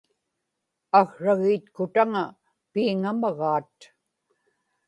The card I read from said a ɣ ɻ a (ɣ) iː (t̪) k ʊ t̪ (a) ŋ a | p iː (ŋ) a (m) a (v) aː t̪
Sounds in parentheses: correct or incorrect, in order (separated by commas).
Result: correct, correct, correct, correct, correct, incorrect